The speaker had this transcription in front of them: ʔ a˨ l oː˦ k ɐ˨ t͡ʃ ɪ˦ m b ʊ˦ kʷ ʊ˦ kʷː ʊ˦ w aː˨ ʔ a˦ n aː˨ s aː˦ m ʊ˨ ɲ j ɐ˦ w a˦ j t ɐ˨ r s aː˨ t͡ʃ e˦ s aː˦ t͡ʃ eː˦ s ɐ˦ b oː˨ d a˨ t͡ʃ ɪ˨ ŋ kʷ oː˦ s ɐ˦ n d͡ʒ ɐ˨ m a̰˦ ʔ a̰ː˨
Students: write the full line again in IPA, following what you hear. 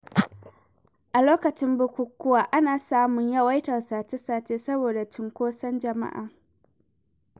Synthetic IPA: ʔ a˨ l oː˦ k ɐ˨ t͡ʃ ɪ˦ m b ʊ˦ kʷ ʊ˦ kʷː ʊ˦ w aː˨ ʔ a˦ n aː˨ s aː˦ m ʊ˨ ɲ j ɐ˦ w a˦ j t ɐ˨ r s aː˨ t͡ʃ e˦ s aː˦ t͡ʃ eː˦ s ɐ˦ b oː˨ d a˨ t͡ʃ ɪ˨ ŋ kʷ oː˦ s ɐ˦ n d͡ʒ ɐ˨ m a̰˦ ʔ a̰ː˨